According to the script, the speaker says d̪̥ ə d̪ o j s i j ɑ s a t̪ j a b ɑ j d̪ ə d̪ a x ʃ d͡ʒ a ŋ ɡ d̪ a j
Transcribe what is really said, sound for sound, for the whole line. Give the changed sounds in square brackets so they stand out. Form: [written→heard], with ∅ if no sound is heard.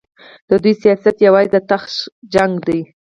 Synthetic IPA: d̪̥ ə d̪ [o→u] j s i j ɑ s a t̪ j a [b→w] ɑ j d̪ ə [d̪→t̪] a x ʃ d͡ʒ a ŋ ɡ d̪ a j